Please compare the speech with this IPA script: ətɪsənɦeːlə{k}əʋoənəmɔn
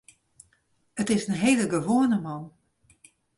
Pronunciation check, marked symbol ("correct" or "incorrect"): incorrect